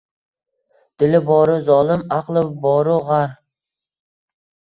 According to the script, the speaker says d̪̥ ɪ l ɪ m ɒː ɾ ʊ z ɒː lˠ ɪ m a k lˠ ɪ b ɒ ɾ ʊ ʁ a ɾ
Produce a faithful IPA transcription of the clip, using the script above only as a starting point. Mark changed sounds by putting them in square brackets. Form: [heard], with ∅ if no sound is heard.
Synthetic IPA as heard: d̪̥ ɪ l ɪ [b] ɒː ɾ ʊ z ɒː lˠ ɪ m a [q] lˠ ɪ b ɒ ɾ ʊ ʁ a ɾ